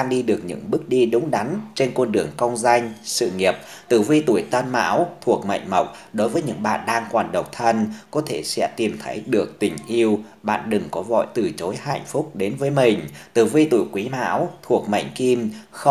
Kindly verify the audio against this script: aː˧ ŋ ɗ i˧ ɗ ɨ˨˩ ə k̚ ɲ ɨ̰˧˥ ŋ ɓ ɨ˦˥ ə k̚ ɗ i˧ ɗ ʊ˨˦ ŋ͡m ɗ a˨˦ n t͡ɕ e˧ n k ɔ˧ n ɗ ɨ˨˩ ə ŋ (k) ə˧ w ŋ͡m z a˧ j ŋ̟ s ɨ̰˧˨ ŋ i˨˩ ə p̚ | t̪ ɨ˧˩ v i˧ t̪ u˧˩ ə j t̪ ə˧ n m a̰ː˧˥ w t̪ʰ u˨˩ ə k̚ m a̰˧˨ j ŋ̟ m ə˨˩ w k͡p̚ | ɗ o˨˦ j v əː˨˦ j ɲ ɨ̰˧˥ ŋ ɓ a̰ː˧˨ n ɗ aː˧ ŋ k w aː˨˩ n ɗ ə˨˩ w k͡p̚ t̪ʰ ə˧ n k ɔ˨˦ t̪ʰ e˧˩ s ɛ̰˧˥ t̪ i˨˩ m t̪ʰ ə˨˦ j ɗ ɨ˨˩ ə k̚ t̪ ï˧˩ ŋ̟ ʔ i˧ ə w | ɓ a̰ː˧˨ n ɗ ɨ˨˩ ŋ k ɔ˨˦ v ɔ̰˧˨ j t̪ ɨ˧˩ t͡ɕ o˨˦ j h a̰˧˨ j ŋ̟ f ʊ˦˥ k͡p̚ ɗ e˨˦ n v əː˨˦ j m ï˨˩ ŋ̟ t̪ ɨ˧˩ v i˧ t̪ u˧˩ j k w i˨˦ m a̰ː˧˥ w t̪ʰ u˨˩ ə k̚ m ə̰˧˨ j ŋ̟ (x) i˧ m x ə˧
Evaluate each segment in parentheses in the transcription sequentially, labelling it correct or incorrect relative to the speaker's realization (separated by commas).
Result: correct, incorrect